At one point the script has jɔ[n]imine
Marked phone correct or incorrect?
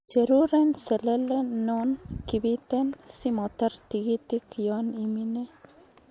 correct